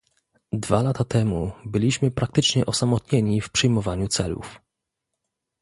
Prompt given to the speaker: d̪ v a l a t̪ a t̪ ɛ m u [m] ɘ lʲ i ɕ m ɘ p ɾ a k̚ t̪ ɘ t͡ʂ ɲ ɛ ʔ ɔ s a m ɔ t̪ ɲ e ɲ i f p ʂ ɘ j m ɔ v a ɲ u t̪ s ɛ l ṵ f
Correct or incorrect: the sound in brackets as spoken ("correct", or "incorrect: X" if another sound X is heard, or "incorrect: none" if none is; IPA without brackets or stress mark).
incorrect: b